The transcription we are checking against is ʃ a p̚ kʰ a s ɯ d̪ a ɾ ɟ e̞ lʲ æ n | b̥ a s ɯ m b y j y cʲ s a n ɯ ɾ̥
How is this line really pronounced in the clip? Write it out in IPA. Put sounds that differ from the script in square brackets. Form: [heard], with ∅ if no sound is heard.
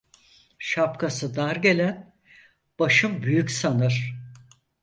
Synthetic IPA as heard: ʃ a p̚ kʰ a s ɯ d̪ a ɾ ɟ e̞ lʲ æ n | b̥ a [ʃ] ɯ m b y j y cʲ s a n ɯ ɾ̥